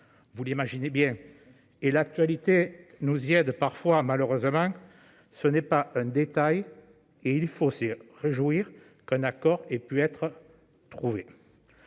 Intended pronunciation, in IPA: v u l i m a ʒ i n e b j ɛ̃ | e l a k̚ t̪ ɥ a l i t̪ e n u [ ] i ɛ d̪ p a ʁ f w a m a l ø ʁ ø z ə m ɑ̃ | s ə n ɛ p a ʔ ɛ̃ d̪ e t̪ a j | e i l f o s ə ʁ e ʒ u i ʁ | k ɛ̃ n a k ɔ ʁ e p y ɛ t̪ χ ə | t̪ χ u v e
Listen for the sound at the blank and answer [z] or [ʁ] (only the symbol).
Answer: z